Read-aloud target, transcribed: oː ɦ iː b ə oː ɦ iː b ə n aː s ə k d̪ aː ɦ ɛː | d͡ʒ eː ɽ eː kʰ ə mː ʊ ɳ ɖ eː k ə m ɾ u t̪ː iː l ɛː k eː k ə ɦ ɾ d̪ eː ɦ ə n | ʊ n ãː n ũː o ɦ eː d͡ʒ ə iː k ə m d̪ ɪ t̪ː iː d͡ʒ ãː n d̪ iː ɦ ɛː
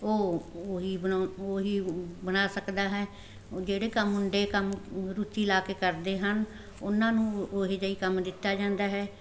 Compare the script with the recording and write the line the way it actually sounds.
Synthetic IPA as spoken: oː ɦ iː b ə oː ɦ iː b ə n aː s ə k d̪ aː ɦ ɛː | d͡ʒ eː ɽ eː k ə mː ʊ ɳ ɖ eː k ə m ɾ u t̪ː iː l aː k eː k ə ɾ d̪ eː ɦ ə n | ʊ n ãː n ũː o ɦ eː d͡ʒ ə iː k ə m d̪ ɪ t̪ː aː d͡ʒ ãː n d̪ aː ɦ ɛː

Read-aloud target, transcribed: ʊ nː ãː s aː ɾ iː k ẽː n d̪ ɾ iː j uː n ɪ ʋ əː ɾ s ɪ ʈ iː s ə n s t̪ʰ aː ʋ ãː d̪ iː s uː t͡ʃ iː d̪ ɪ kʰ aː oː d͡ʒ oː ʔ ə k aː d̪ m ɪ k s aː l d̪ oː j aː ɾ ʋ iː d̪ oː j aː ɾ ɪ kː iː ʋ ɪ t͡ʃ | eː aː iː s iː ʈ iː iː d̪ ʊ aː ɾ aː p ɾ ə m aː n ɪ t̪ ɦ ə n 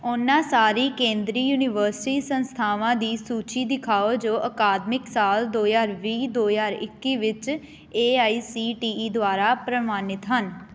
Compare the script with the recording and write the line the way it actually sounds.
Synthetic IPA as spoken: ʊ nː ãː s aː ɾ iː k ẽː n d̪ ɾ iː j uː n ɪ ʋ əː ɾ s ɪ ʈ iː s ə n s t̪ʰ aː ʋ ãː d̪ iː s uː t͡ʃ iː d̪ ɪ kʰ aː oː d͡ʒ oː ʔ ə k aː d̪ m ɪ k s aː l d̪ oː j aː ɾ ʋ iː d̪ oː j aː ɾ ɪ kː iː ʋ ɪ t͡ʃ | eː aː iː s iː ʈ iː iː d̪ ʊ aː ɾ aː p ɾ ə m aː n ɪ t̪ ɦ ə n

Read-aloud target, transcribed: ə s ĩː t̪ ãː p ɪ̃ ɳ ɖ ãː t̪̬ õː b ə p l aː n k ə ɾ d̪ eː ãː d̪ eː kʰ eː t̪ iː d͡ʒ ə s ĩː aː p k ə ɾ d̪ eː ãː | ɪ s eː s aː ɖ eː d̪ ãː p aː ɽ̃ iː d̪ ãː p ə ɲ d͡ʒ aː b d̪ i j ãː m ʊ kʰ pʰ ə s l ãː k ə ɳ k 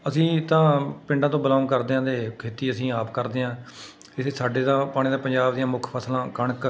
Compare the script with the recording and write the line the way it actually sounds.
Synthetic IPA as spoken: ə s ĩː t̪ ãː p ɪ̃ ɳ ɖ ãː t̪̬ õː b ə l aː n k ə ɾ d̪ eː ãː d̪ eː kʰ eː t̪ iː ə s ĩː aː p k ə ɾ d̪ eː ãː | ɪ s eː s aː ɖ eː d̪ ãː p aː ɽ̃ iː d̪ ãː p ə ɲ d͡ʒ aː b d̪ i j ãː m ʊ kʰ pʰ ə s l ãː k ə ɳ k

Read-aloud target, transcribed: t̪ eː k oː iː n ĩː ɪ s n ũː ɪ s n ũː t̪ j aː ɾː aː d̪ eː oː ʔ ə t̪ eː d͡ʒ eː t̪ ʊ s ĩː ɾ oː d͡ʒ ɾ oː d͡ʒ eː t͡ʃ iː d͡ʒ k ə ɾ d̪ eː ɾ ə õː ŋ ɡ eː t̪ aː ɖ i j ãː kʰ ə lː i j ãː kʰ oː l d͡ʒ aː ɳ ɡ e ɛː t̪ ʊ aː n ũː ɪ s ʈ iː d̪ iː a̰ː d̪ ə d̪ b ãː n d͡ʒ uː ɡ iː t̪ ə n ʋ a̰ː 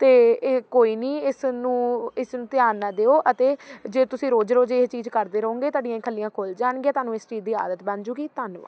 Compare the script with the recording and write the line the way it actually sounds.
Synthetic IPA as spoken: t̪ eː k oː iː n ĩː ɪ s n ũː ɪ s n ũː t̪ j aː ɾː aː d̪ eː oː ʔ ə t̪ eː d͡ʒ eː t̪ ʊ s ĩː ɾ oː d͡ʒ ɾ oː d͡ʒ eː t͡ʃ iː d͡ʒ k ə ɾ d̪ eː ɾ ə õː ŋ ɡ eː t̪ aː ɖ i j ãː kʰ ə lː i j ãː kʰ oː l d͡ʒ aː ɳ ɡ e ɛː t̪ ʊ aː n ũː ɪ s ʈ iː d̪ iː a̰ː d̪ ə t̪ b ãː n d͡ʒ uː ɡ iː t̪ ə n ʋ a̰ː

